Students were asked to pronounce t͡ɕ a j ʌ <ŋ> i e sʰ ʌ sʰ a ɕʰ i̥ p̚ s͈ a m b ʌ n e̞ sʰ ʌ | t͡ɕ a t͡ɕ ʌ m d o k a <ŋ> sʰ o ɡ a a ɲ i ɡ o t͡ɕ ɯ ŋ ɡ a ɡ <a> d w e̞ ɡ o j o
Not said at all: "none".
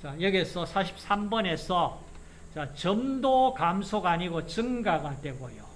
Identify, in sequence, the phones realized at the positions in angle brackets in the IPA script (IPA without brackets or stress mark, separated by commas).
ɡ, m, a